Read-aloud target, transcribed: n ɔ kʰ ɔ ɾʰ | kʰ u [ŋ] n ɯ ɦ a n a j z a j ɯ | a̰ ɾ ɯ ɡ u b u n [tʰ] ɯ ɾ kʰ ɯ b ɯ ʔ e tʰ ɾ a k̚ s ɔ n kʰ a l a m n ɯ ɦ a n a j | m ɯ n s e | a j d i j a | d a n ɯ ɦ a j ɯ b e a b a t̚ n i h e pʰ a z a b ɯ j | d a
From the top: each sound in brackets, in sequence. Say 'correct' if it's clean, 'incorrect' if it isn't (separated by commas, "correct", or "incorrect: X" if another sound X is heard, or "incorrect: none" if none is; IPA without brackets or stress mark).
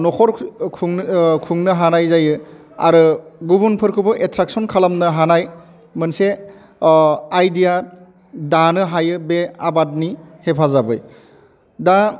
correct, incorrect: pʰ